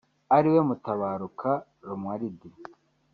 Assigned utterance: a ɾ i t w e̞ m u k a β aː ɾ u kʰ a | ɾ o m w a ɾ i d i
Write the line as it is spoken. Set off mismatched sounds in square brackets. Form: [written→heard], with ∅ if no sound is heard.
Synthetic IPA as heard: a ɾ i [t→∅] w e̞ m u [k→t] a β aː ɾ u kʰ a | ɾ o m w a ɾ i d i